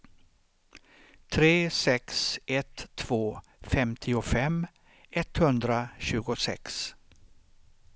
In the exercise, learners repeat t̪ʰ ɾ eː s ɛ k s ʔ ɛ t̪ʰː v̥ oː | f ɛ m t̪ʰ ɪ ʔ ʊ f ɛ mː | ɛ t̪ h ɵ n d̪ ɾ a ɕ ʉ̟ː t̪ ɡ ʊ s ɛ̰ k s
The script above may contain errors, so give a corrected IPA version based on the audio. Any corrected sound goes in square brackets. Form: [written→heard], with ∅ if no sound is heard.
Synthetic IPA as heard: t̪ʰ ɾ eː s ɛ k s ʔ ɛ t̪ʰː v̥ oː | f ɛ m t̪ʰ ɪ [ʔ→∅] ʊ f ɛ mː | ɛ t̪ h ɵ n d̪ ɾ a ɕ ʉ̟ː [t̪→∅] ɡ ʊ s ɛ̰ k s